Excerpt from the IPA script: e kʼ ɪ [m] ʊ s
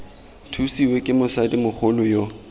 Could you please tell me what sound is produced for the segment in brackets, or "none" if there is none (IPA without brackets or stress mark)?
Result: m